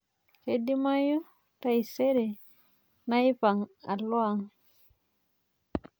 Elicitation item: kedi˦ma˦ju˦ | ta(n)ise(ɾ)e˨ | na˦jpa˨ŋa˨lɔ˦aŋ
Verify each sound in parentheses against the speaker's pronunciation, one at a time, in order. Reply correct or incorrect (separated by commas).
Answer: incorrect, correct